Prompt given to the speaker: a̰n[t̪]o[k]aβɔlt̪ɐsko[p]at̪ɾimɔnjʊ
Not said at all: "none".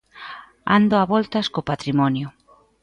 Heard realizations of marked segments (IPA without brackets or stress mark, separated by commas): d̪, none, p